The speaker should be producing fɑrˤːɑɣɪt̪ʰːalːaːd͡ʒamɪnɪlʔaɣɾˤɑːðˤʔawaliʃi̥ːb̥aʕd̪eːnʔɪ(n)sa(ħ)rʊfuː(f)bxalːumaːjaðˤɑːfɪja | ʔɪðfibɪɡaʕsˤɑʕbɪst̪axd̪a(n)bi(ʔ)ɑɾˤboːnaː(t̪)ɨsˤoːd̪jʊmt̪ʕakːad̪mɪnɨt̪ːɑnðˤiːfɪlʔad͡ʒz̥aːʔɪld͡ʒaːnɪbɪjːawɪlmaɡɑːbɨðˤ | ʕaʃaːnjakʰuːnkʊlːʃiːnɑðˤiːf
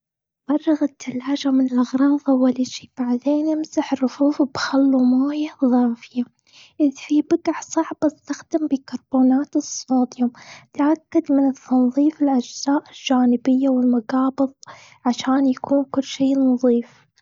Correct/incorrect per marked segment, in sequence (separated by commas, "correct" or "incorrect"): incorrect, correct, correct, incorrect, incorrect, correct